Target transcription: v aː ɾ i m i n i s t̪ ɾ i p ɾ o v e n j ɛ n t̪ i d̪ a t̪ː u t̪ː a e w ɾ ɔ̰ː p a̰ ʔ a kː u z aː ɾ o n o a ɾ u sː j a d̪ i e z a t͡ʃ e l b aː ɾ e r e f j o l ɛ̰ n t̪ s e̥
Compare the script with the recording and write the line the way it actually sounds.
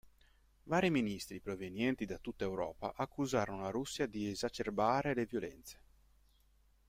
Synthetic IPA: v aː ɾ i m i n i s t̪ ɾ i p ɾ o v e n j ɛ n t̪ i d̪ a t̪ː u t̪ː a e w ɾ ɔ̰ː p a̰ ʔ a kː u z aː ɾ o n o a ɾ u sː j a d̪ i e z a t͡ʃ e r b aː ɾ e l e v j o l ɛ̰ n t̪ s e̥